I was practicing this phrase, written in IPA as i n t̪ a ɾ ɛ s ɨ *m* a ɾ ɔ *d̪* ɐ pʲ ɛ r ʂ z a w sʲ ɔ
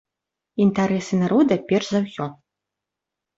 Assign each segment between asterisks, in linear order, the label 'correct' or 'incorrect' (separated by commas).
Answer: incorrect, correct